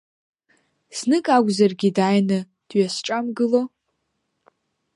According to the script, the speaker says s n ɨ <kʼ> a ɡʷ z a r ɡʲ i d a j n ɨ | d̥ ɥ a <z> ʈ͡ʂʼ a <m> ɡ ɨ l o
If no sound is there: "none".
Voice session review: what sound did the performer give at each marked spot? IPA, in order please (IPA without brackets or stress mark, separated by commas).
kʼ, s, m